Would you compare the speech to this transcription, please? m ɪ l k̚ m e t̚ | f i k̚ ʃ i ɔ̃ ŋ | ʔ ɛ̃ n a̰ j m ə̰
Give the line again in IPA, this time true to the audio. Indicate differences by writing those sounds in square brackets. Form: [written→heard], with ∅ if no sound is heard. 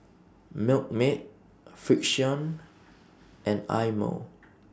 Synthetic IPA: m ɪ l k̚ m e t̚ | f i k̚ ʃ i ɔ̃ [ŋ→n] | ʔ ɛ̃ n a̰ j m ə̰